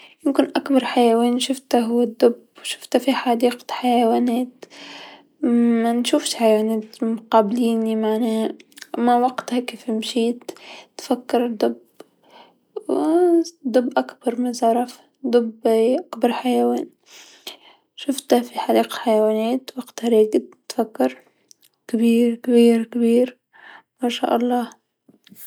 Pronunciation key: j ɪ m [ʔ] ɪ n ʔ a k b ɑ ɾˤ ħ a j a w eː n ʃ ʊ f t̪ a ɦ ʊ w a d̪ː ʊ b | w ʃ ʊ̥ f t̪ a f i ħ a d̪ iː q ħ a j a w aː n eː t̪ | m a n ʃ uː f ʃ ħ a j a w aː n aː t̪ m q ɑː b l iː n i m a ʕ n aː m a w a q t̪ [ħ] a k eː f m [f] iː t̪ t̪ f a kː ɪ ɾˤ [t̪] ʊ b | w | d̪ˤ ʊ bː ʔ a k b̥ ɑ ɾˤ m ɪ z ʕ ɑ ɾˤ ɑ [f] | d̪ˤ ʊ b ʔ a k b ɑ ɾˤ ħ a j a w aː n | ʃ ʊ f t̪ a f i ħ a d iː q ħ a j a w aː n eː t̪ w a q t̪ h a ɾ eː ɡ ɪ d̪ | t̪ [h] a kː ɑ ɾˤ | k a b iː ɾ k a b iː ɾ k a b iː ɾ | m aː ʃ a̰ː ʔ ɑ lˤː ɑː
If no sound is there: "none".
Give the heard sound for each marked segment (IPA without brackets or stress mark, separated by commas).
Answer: k, h, ʃ, d̪, f, f